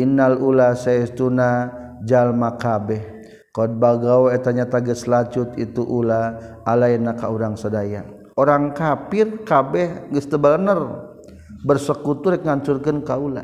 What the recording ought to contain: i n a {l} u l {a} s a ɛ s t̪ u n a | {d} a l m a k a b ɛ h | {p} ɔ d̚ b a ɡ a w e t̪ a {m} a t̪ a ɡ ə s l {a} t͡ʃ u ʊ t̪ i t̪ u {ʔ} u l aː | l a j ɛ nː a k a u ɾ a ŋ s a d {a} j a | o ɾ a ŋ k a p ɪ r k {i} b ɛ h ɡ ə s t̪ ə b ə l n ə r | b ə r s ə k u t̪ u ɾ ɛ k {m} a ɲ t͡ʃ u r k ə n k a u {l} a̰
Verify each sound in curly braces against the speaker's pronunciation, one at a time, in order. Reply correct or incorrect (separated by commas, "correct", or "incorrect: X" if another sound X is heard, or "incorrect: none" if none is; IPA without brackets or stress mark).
correct, correct, incorrect: d͡ʒ, incorrect: k, incorrect: ɲ, correct, correct, correct, incorrect: a, incorrect: ŋ, correct